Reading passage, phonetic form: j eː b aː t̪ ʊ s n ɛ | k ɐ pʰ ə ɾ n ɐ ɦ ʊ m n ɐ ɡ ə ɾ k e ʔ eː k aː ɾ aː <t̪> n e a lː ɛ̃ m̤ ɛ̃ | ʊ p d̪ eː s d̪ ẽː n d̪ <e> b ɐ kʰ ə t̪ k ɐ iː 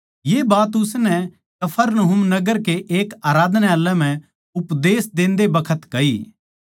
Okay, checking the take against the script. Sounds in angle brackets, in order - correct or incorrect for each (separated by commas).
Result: incorrect, correct